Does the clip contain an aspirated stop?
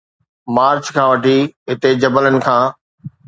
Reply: yes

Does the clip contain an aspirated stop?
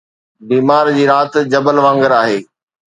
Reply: no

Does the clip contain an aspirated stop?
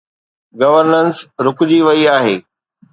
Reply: no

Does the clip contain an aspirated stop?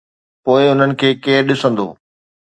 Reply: yes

